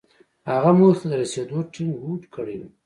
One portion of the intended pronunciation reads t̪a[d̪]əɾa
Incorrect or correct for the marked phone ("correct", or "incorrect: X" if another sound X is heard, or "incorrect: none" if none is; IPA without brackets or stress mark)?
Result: correct